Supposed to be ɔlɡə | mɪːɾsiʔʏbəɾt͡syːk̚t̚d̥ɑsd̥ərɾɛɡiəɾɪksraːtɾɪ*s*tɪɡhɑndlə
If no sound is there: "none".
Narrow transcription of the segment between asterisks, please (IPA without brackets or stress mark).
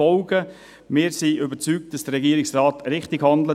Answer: χ